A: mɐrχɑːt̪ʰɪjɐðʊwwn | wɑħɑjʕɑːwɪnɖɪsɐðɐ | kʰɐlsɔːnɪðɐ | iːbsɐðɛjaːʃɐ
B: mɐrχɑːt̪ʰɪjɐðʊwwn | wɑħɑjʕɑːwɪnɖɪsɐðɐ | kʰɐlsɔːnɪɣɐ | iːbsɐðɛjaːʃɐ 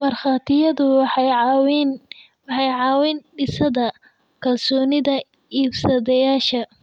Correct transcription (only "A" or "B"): A